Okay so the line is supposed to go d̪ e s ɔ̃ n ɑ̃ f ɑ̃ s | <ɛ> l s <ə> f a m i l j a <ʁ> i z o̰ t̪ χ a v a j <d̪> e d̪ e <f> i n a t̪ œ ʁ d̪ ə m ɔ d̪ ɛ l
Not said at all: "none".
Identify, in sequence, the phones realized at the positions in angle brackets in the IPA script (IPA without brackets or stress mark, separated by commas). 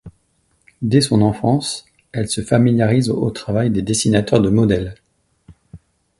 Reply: ɛ, ə, ʁ, d̪, s